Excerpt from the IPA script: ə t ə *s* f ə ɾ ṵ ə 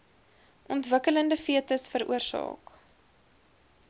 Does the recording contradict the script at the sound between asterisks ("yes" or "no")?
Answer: no